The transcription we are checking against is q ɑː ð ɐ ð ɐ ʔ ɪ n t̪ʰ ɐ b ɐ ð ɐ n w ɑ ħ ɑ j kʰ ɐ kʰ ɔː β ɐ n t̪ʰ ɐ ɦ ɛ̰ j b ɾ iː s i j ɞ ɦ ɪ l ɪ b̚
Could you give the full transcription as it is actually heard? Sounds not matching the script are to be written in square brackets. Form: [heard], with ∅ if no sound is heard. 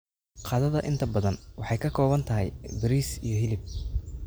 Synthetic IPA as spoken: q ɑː ð ɐ ð ɐ ʔ ɪ n t̪ʰ ɐ b ɐ ð ɐ n w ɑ ħ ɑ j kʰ ɐ kʰ ɔː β ɐ n t̪ʰ ɐ ɦ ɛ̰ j b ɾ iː s i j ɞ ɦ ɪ l ɪ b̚